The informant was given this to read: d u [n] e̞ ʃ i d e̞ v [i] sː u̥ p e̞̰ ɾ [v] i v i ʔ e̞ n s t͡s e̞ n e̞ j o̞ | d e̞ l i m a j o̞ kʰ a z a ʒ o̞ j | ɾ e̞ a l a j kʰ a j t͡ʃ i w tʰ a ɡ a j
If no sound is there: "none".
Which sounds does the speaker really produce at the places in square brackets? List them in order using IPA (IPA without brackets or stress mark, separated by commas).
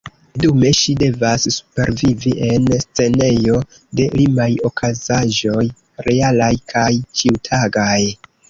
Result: m, a, v